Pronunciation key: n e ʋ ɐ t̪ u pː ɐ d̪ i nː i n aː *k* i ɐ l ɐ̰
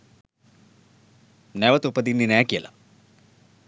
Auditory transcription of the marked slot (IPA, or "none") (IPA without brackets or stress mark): k